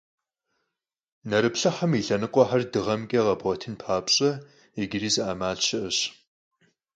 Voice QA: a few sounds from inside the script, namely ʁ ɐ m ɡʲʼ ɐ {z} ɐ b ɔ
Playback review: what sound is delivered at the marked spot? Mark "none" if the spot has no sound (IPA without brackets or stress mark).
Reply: ʁ